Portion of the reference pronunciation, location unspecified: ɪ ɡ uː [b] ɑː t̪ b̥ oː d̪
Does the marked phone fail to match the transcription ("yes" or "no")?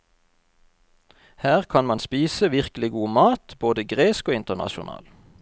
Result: yes